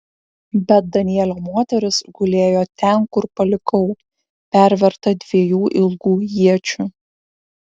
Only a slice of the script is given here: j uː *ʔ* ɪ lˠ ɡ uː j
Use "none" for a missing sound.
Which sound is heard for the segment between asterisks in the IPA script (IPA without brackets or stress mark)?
ʔ